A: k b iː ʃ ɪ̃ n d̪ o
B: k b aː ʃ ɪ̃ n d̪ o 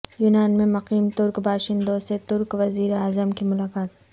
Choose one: B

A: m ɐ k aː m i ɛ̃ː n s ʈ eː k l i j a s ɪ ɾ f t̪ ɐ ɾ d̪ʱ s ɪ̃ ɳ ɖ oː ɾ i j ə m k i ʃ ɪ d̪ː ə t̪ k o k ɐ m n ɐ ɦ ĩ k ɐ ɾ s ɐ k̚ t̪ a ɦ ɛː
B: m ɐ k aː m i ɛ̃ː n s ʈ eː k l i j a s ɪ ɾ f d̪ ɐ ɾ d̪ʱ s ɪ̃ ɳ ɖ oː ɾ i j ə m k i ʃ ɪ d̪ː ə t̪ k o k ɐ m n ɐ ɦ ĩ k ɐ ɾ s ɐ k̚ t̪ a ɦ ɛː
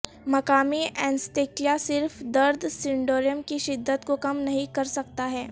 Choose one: B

